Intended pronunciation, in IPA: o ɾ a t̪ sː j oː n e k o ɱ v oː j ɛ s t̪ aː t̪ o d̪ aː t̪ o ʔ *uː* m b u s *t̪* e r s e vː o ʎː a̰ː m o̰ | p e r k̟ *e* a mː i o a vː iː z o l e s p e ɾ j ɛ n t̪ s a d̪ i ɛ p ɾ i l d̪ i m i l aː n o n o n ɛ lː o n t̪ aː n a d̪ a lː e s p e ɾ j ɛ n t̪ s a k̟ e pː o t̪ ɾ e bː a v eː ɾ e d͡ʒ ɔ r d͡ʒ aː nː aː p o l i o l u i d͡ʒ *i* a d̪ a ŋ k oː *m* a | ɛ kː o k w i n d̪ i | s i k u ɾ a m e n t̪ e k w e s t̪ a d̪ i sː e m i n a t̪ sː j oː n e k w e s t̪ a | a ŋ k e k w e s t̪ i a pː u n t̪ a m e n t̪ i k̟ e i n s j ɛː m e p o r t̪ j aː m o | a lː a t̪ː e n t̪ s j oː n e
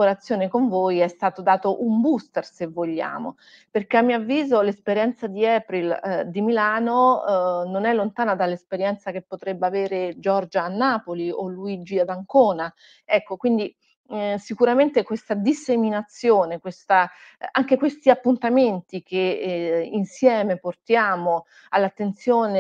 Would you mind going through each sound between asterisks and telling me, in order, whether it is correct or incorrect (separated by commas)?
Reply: incorrect, correct, correct, correct, incorrect